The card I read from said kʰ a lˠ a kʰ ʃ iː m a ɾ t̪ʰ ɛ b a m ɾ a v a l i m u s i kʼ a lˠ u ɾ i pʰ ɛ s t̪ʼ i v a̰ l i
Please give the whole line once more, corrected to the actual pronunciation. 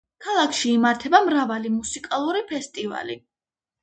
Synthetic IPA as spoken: kʰ a lˠ a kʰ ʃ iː m a ɾ t̪ʰ ɛ b a m ɾ a v a l i m u s i kʼ a lˠ u ɾ i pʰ ɛ s t̪ʼ i v a̰ l i